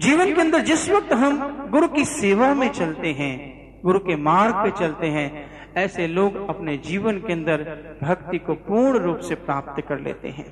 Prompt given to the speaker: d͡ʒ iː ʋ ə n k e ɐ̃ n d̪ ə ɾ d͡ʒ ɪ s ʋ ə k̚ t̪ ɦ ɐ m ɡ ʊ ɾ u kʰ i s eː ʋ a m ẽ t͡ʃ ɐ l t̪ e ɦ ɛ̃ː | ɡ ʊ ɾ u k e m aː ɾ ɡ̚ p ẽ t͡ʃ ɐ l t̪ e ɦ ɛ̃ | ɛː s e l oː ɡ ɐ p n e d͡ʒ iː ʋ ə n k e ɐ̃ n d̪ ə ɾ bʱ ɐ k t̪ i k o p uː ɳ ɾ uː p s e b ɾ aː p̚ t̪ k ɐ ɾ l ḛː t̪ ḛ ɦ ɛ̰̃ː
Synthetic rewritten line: d͡ʒ iː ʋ ə n k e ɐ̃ n d̪ ə ɾ d͡ʒ ɪ s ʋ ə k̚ t̪ ɦ ɐ m ɡ ʊ ɾ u k i s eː ʋ a m ẽ t͡ʃ ɐ l t̪ e ɦ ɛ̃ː | ɡ ʊ ɾ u k e m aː ɾ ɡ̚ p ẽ t͡ʃ ɐ l t̪ e ɦ ɛ̃ | ɛː s e l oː ɡ ɐ p n e d͡ʒ iː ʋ ə n k e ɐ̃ n d̪ ə ɾ bʱ ɐ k t̪ i k o p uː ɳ ɾ uː p s e p ɾ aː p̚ t̪ k ɐ ɾ l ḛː t̪ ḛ ɦ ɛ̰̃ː